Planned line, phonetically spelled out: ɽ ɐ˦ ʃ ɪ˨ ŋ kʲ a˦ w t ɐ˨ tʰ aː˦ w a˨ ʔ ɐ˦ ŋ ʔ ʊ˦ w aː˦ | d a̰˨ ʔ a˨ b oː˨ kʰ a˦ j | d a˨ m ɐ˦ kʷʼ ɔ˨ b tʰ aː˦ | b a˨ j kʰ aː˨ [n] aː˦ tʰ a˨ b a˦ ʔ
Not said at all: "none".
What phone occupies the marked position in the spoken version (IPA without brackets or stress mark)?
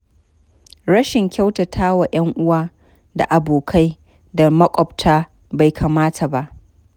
m